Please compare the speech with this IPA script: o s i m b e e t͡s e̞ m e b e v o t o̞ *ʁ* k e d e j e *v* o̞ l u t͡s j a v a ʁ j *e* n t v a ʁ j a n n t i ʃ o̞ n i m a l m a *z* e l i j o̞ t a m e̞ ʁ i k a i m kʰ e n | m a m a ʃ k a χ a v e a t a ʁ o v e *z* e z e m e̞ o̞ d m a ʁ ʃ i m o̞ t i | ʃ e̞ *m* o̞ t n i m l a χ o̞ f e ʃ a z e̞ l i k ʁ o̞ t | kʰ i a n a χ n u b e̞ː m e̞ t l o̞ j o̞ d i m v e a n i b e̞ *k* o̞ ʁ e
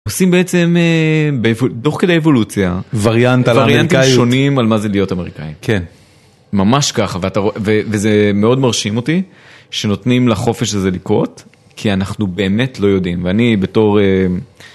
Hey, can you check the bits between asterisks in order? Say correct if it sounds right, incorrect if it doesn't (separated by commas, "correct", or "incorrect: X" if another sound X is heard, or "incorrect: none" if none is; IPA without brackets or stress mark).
incorrect: χ, correct, incorrect: a, correct, incorrect: v, incorrect: n, incorrect: t